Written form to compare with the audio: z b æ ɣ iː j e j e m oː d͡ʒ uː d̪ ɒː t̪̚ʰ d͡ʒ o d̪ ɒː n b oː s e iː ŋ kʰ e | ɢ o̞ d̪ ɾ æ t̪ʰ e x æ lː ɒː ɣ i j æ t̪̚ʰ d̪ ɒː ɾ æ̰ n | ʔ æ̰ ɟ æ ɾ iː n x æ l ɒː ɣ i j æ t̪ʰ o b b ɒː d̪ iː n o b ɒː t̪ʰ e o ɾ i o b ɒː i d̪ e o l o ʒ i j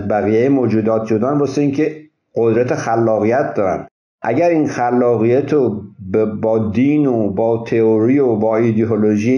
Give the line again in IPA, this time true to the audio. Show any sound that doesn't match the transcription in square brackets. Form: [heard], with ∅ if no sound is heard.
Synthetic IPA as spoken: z b æ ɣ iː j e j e m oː d͡ʒ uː d̪ ɒː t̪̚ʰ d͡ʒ o d̪ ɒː n b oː s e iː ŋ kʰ e | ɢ o̞ d̪ ɾ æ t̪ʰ e x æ lː ɒː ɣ i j æ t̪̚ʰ d̪ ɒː ɾ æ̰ n | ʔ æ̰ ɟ æ ɾ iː n x æ [lː] ɒː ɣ i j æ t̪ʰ o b b ɒː d̪ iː n o b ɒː t̪ʰ e o ɾ i o b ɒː i d̪ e o l o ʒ i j